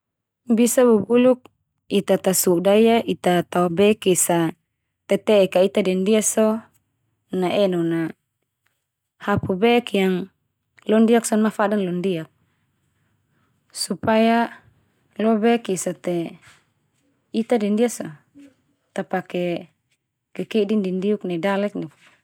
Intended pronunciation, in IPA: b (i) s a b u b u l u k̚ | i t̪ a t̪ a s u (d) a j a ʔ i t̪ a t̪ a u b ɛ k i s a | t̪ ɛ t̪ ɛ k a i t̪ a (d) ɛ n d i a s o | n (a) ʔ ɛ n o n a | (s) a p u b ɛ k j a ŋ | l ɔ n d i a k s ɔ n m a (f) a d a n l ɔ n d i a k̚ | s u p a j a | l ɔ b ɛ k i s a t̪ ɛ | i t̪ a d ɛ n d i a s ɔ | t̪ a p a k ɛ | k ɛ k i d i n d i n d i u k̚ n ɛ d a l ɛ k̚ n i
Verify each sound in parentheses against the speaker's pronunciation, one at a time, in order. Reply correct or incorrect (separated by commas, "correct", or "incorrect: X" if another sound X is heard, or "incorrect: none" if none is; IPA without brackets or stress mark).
correct, correct, correct, correct, incorrect: h, correct